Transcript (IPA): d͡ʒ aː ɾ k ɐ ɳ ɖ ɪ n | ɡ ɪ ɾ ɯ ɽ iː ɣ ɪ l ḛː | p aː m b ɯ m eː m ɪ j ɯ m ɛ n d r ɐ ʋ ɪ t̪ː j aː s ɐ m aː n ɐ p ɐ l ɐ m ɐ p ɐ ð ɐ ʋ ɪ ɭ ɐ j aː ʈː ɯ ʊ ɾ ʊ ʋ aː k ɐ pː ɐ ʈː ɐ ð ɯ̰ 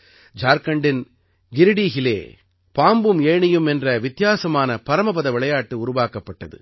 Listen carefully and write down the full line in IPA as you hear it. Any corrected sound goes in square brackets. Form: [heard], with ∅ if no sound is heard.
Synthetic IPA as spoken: d͡ʒ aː ɾ k ɐ ɳ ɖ ɪ n | ɡ ɪ ɾ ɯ ɽ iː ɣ ɪ l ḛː | p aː m b ɯ m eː [ɳ] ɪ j ɯ m ɛ n d r ɐ ʋ ɪ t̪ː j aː s ɐ m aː n ɐ p ɐ [ɾ] ɐ m ɐ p ɐ ð ɐ ʋ ɪ ɭ ɐ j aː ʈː ɯ ʊ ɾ ʊ ʋ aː k ɐ pː ɐ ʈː ɐ ð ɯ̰